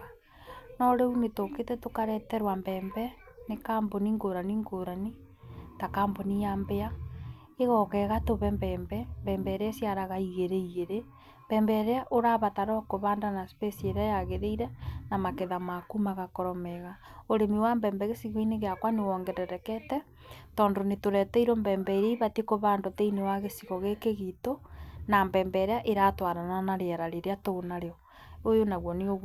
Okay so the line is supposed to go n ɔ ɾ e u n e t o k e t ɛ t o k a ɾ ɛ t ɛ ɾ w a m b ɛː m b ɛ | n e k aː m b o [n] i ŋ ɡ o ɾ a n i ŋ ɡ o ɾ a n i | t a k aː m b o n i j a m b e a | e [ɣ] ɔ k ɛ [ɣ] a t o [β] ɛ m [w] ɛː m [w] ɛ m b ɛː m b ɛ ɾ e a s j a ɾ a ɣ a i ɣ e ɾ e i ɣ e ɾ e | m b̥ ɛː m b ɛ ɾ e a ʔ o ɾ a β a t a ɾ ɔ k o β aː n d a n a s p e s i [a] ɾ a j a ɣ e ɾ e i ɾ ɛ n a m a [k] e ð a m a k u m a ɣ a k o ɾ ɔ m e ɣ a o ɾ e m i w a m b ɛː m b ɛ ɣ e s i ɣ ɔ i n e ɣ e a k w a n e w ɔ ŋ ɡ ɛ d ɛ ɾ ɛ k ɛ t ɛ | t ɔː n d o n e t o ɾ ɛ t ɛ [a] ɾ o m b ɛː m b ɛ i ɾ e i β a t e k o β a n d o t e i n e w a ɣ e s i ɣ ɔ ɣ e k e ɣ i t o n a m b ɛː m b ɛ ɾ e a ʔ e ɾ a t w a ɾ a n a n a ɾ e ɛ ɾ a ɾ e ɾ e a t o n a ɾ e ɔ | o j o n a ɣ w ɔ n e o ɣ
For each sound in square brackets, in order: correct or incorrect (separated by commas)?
correct, correct, correct, correct, incorrect, incorrect, incorrect, correct, incorrect